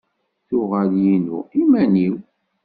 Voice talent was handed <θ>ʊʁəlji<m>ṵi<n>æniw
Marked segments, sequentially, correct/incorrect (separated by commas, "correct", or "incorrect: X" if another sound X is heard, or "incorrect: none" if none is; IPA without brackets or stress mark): correct, incorrect: n, incorrect: m